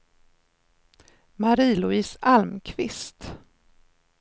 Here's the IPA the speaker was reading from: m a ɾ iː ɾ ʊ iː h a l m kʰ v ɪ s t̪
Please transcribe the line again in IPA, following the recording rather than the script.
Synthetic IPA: m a ɾ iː l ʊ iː s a l m kʰ v ɪ s t̪